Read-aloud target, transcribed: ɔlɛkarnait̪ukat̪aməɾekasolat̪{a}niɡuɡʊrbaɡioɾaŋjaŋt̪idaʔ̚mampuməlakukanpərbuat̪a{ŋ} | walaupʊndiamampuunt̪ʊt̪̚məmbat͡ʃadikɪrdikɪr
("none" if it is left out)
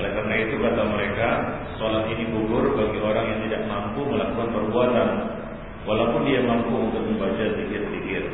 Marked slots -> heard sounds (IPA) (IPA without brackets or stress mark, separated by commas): i, n